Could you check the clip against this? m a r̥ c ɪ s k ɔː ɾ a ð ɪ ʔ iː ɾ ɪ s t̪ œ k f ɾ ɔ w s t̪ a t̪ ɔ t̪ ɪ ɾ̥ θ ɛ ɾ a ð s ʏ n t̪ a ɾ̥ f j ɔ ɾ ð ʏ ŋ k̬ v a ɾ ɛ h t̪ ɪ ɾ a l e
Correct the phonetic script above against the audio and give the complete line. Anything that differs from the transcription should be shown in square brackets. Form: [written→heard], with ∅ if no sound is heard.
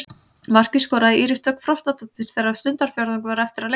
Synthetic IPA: m a r̥ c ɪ s k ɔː ɾ a ð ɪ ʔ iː ɾ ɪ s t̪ œ k f ɾ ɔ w s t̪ a t̪ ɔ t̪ ɪ ɾ̥ θ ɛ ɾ a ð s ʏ n t̪ a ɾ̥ f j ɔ ɾ ð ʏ ŋ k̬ v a ɾ ɛ [h→f] t̪ ɪ ɾ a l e